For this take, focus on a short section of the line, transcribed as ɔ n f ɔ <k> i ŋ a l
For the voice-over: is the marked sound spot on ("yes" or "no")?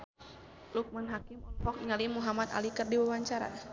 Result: yes